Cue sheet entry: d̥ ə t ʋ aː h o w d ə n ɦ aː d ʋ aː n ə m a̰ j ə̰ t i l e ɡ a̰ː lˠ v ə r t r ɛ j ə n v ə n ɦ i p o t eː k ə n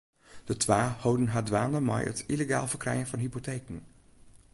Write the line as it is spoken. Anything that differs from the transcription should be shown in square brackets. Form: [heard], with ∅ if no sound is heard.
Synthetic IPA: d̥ ə t ʋ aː h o w d ə n ɦ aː d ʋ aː n ə m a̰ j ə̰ t i l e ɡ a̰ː lˠ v ə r [k] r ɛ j ə n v [ɑ] n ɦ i p o t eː k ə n